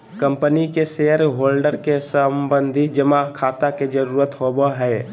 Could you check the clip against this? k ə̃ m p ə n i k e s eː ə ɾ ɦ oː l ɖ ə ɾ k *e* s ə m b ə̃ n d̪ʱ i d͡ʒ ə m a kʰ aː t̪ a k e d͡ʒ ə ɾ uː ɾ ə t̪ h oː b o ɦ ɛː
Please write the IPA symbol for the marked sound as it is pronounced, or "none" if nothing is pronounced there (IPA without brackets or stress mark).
e